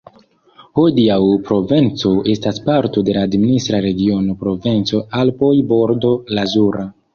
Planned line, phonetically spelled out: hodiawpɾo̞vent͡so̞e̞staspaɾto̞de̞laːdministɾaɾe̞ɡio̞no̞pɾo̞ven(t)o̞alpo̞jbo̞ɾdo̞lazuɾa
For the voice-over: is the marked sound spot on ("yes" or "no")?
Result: no